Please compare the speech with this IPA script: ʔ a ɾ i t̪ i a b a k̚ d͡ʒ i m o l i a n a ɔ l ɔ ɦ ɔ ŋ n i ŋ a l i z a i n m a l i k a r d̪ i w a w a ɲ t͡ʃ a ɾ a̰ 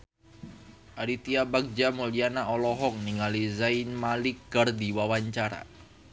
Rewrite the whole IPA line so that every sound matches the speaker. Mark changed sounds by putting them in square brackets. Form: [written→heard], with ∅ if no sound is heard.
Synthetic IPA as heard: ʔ a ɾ i t̪ i a b a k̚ d͡ʒ [i→a] m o l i a n a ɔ l ɔ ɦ ɔ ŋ n i ŋ a l i z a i n m a l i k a r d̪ i w a w a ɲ t͡ʃ a ɾ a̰